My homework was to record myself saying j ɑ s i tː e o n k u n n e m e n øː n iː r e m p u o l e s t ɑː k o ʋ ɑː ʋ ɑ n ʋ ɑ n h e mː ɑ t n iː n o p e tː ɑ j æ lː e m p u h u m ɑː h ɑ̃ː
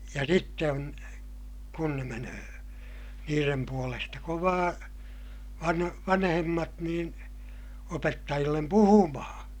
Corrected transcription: j ɑ s i tː e o n k u n n e m e n øː n iː r e m p u o l e s t ɑ k o ʋ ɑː ʋ ɑ n ʋ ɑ n h e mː ɑ t n iː n o p e tː ɑ j i lː e m p u h u m ɑ h ɑ̃ː